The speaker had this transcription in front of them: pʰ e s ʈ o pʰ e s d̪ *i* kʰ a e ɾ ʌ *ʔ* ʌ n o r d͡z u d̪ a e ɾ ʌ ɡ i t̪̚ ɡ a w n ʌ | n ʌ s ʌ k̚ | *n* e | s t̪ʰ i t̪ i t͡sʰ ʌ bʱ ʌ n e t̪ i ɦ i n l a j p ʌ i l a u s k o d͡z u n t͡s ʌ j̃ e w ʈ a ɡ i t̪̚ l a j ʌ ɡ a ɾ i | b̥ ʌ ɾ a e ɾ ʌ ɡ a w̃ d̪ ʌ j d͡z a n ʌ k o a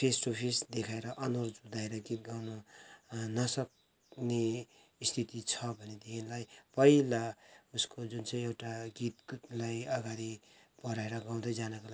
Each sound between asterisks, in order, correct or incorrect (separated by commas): incorrect, correct, correct